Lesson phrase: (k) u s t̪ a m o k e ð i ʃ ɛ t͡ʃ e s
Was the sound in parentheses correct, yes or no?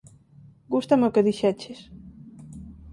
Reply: no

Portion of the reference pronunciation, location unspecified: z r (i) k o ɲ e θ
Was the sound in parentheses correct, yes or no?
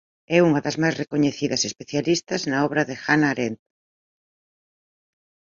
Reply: no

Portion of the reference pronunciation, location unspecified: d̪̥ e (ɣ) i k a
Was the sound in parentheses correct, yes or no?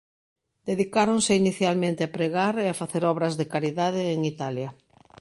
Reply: no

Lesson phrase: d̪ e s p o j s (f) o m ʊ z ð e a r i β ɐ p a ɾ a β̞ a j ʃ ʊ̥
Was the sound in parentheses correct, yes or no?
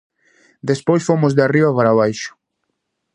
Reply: yes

